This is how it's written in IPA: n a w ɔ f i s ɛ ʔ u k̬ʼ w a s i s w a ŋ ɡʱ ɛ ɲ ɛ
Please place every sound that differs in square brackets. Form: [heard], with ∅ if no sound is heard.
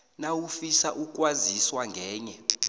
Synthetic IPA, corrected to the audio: n a w [u] f i s [a] ʔ u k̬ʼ w a [z] i s w a ŋ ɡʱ [ɛː] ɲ ɛ